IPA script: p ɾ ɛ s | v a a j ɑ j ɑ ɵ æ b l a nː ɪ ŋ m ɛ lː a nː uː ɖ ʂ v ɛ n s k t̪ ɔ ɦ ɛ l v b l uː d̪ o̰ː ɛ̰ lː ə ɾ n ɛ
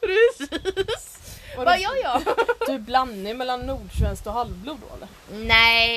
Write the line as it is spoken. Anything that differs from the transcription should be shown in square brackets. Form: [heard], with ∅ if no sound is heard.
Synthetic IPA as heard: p ɾ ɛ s | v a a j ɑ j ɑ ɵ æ b l a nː ɪ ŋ m ɛ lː a nː uː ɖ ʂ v ɛ n s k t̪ ɔ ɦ [a] l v b l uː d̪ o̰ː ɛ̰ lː ə ɾ n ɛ